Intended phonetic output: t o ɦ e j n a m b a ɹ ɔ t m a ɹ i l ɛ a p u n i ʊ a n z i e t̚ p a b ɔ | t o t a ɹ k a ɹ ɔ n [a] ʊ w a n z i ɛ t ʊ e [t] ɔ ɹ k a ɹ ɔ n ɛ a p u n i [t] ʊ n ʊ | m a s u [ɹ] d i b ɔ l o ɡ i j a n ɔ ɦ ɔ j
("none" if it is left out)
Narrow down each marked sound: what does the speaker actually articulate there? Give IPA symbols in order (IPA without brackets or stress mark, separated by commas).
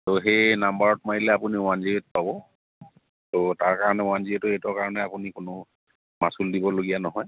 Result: ɛ, t, k, l